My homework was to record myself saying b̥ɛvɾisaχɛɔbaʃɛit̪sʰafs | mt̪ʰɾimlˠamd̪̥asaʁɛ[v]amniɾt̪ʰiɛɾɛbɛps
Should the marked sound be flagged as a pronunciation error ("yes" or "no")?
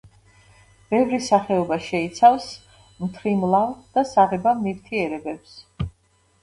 yes